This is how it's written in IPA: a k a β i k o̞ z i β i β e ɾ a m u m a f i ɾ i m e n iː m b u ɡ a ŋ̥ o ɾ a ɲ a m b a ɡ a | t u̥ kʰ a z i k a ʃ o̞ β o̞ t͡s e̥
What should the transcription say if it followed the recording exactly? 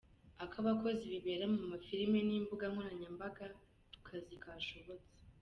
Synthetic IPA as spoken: a k a β a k o̞ z i β i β e ɾ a m u m a f i ɾ i m e n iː m b u ɡ a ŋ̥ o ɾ a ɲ a m b a ɡ a | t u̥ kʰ a z i k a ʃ o̞ β o̞ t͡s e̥

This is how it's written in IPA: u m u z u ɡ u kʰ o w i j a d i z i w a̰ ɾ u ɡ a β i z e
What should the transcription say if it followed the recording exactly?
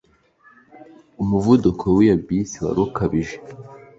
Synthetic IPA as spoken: u m u v u d u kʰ o w i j a b i s i w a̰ ɾ u k a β i ʒ e

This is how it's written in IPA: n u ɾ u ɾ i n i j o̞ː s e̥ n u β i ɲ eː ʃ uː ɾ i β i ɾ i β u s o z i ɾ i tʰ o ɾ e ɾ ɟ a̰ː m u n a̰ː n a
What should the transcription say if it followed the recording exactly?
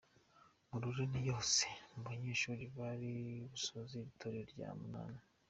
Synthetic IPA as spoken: m u ɾ u ɾ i n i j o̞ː s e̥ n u β a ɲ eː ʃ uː ɾ i β a ɾ i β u s o z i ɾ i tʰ o ɾ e ɾ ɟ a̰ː m u n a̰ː n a

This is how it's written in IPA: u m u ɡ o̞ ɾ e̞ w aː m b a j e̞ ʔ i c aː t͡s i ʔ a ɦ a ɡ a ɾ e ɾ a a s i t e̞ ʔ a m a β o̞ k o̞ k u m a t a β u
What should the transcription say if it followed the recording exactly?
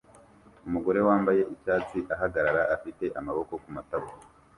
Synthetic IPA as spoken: u m u ɡ o̞ ɾ e̞ w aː m b a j e̞ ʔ i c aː t͡s i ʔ a ɦ a ɡ a ɾ a ɾ a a f i t e̞ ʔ a m a β o̞ k o̞ k u m a t a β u

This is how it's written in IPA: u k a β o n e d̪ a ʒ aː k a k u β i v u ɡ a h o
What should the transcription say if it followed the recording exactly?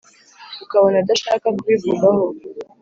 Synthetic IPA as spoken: u k a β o n a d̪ a ʃ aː k a k u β i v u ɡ a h o

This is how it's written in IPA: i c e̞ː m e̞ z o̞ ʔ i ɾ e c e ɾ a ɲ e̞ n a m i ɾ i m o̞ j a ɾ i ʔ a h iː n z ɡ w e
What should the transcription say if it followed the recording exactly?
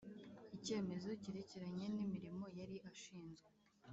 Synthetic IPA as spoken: i c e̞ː m e̞ z o̞ c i ɾ e c e ɾ a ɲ e̞ n i m i ɾ i m o̞ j a ɾ i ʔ a ʃ iː n z ɡ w e

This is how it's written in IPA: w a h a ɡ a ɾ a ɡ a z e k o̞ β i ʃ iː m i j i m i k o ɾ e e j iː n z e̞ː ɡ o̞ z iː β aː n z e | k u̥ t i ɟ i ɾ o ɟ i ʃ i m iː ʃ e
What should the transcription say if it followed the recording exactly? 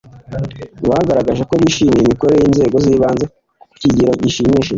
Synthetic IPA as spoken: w a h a ɡ a ɾ a ɡ a ʒ e k o̞ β i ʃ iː m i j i m i k o ɾ e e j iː n z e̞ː ɡ o̞ z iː β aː n z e | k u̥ c i ɟ i ɾ o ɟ i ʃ i m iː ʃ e

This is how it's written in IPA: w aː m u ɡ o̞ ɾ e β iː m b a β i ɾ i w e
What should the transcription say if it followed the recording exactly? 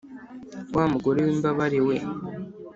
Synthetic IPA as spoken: w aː m u ɡ o̞ ɾ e w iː m b a β a ɾ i w e

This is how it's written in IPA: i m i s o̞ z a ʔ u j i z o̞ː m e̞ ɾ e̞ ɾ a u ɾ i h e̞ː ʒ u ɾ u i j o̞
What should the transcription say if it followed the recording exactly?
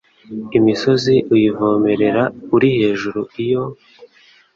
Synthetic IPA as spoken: i m i s o̞ z i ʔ u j i v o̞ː m e̞ ɾ e̞ ɾ a u ɾ i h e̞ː ʒ u ɾ u i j o̞

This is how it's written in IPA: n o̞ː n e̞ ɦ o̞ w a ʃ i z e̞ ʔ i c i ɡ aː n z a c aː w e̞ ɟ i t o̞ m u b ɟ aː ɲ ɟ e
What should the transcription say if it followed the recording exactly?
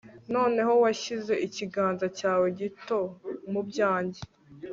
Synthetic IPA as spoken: n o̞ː n e̞ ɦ o̞ w a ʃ i z e̞ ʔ i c i ɡ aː n z a c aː w e̞ ɟ i t o̞ m u b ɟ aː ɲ ɟ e

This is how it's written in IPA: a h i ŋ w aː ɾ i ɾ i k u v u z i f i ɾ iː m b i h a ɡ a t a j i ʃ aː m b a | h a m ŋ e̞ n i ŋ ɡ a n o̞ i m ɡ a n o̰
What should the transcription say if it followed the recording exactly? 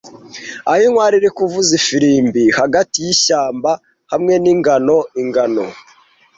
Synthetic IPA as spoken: a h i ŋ w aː ɾ i ɾ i k u v u z i f i ɾ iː m b i h a ɡ a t i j i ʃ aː m b a | h a m ŋ e̞ n i ŋ ɡ a n o̞ i ŋ ɡ a n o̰

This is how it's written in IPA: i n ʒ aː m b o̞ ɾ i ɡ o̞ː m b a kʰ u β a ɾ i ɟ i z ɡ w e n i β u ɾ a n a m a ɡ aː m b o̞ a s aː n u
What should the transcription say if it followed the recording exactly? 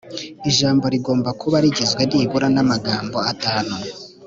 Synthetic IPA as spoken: i ʒ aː m b o̞ ɾ i ɡ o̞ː m b a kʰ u β a ɾ i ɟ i z ɡ w e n i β u ɾ a n a m a ɡ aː m b o̞ a t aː n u

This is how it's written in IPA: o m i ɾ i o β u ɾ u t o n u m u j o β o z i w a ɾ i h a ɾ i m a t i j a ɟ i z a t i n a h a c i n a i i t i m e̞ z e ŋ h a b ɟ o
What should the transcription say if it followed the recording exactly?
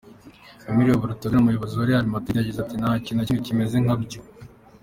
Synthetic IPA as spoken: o m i ɾ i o β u ɾ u t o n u m u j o β o z i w a ɾ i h a ɾ i m a t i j a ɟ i z a t i n a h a c i n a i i c i m e̞ z e ŋ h a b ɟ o

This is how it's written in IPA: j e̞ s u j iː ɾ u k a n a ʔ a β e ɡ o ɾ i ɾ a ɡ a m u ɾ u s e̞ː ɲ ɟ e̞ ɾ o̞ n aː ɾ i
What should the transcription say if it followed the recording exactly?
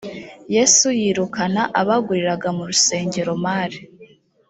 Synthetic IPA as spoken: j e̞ s u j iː ɾ u k a n a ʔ a β a ɡ u ɾ i ɾ a ɡ a m u ɾ u s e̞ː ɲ ɟ e̞ ɾ o̞ m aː ɾ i

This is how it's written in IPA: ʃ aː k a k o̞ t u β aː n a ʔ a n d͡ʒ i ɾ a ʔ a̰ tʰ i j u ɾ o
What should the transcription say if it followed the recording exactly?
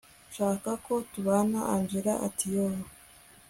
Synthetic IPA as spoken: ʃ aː k a k o̞ t u β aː n a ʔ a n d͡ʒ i ɾ a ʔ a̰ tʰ i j o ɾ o

